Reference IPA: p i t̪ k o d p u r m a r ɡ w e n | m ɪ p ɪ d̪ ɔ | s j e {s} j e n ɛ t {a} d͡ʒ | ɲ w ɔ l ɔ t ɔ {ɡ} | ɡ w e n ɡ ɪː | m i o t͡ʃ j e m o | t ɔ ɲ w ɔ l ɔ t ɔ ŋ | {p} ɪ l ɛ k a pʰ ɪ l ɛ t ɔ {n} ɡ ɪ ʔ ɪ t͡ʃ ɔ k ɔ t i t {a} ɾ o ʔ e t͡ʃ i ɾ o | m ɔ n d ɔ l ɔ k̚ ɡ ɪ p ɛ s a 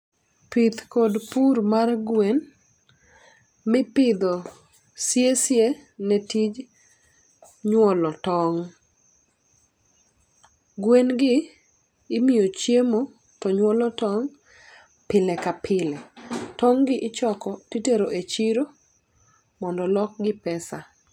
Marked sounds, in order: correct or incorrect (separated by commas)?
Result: correct, incorrect, incorrect, correct, incorrect, incorrect